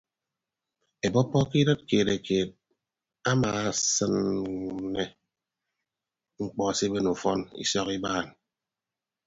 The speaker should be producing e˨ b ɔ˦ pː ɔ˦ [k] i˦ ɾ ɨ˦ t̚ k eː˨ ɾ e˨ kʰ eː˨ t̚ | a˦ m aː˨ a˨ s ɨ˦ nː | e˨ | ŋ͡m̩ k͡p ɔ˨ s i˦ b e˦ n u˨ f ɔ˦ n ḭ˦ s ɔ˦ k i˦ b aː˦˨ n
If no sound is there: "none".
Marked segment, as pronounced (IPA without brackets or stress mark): k